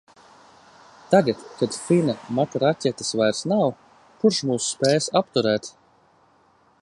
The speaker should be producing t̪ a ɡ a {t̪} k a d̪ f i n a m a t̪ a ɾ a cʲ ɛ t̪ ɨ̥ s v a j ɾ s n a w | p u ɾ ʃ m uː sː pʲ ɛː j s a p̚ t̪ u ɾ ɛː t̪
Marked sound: correct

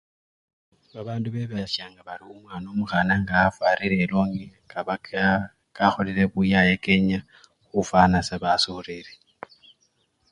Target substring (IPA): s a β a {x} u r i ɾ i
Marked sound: incorrect: s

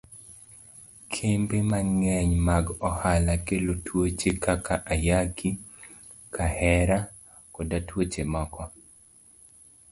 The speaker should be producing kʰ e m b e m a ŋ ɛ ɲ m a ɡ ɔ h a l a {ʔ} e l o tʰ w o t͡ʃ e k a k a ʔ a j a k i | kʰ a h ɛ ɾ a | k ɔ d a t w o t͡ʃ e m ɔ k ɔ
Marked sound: incorrect: k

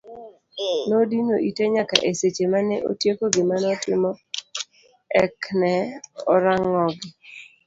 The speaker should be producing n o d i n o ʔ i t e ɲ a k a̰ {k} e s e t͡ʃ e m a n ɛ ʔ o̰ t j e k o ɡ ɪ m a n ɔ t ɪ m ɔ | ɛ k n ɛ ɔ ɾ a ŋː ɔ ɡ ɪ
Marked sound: incorrect: ʔ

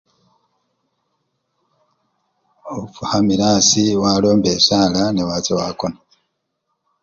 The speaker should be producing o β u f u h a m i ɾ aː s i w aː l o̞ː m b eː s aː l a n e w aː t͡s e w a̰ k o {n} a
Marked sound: correct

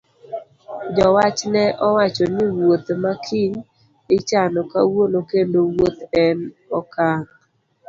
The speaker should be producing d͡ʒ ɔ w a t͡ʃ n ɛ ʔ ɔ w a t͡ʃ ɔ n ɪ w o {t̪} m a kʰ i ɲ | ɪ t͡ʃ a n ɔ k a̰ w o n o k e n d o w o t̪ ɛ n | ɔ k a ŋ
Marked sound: correct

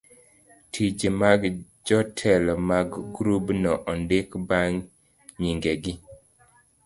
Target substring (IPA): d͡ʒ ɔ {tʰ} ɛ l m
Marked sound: correct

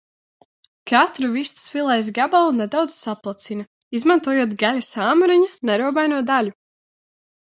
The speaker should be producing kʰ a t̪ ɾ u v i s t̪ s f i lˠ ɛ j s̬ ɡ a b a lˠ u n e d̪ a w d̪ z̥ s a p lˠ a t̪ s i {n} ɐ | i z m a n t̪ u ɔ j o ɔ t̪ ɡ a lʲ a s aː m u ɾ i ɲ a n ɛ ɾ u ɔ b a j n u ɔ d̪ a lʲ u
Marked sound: correct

